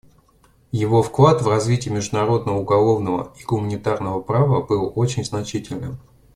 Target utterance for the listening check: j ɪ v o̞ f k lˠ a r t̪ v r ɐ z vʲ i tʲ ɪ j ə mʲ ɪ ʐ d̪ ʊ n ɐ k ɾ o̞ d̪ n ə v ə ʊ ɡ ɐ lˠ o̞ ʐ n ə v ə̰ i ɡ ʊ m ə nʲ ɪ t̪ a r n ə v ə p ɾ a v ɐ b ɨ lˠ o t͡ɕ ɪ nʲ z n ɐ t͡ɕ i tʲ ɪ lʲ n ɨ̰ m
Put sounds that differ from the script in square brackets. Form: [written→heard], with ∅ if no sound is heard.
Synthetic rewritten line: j ɪ v o̞ f k lˠ a [r→∅] t̪ v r ɐ z vʲ i tʲ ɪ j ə mʲ ɪ ʐ d̪ ʊ n ɐ [k→∅] ɾ o̞ d̪ n ə v ə ʊ ɡ ɐ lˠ o̞ [ʐ→v] n ə v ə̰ i ɡ ʊ m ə nʲ ɪ t̪ a r n ə v ə p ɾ a v [ɐ→ə] b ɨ lˠ o t͡ɕ ɪ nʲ z n ɐ t͡ɕ i tʲ ɪ lʲ n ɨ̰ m